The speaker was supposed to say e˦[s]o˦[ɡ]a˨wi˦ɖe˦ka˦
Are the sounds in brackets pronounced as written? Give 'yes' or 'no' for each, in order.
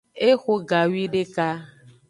no, yes

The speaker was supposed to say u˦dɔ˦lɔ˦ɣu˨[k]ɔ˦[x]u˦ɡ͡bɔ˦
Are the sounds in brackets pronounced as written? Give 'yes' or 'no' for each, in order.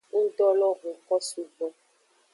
yes, no

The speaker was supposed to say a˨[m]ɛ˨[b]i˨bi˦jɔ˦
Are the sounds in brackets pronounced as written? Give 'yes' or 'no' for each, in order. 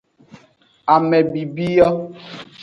yes, yes

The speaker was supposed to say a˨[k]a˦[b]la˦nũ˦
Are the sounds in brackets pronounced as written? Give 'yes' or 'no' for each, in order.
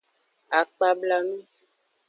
no, yes

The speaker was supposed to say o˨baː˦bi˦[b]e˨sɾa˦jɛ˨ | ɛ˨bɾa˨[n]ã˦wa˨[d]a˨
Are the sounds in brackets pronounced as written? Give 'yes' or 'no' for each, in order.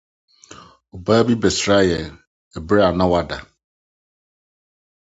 yes, yes, yes

